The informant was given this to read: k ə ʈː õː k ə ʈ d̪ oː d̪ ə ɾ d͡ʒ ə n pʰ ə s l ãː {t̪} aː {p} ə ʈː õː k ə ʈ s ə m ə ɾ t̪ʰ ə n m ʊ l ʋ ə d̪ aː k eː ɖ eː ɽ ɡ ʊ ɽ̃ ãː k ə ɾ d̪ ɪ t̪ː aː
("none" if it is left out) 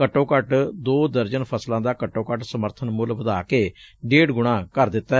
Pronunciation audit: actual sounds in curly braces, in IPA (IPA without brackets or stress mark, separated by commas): d̪, k